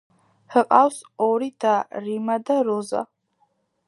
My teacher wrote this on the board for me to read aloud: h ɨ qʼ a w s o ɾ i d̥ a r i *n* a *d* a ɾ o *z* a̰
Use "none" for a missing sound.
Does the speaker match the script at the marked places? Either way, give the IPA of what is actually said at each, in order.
m, d, z

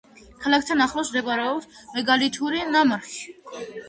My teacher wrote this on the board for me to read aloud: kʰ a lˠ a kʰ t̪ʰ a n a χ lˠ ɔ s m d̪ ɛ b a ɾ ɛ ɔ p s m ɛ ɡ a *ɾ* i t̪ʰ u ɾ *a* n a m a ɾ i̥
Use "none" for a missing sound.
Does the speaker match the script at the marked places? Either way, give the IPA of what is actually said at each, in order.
l, i

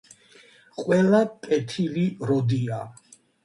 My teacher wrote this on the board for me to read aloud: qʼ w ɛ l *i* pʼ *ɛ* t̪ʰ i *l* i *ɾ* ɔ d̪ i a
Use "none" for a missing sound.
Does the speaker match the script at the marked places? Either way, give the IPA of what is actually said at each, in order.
a, ɛ, l, ɾ

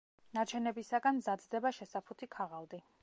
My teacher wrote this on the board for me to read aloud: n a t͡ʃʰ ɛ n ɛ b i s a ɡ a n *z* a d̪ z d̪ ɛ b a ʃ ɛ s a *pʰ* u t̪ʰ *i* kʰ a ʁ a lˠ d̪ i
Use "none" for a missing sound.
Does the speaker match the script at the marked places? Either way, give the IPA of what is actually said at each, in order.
z, pʰ, i

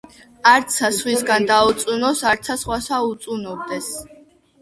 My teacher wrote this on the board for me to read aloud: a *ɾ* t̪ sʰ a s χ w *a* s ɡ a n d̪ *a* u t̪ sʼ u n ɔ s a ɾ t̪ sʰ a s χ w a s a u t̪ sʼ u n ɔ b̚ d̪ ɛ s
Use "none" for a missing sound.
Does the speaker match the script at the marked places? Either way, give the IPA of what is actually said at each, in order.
ɾ, i, a

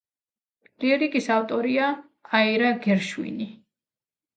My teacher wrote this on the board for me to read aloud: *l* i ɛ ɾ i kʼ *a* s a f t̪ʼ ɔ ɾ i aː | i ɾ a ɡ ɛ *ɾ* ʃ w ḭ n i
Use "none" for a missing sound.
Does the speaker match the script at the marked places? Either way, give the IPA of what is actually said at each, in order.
l, i, ɾ

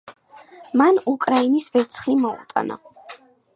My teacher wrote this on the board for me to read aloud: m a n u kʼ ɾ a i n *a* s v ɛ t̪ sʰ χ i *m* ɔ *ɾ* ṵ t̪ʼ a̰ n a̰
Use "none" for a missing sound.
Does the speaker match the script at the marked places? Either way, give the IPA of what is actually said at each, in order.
i, m, none

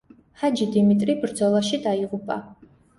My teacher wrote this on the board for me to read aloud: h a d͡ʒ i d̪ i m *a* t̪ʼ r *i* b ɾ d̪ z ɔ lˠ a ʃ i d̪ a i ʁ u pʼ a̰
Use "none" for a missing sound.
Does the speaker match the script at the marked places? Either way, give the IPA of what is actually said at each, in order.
i, i

